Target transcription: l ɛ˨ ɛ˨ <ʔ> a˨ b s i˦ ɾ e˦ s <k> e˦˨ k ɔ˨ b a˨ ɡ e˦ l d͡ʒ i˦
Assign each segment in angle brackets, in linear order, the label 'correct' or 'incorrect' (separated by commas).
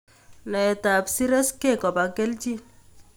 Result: incorrect, correct